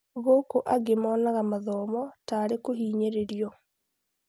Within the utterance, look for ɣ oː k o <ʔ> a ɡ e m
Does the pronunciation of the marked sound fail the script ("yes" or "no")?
no